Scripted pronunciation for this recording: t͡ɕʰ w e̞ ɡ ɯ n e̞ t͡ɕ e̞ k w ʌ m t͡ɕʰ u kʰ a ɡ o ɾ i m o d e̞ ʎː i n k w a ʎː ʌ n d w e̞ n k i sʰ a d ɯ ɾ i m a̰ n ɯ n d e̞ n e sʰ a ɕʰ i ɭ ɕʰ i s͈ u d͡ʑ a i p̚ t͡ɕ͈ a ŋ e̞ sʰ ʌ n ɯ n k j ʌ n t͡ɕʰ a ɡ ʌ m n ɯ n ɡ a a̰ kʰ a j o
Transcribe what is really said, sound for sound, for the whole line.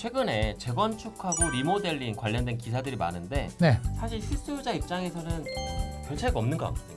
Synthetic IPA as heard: t͡ɕʰ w e̞ ɡ ɯ n e̞ t͡ɕ e̞ ɡ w ʌ n t͡ɕʰ u kʰ a ɡ o ɾ i m o d e̞ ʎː i n k w a ʎː ʌ n d w e̞ n k i sʰ a d ɯ ɾ i m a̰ n ɯ n d e̞ n e sʰ a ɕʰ i ɭ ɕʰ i s͈ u d͡ʑ a i p̚ t͡ɕ͈ a ŋ e̞ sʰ ʌ n ɯ n k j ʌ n t͡ɕʰ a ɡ ʌ m n ɯ n ɡ ʌ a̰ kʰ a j o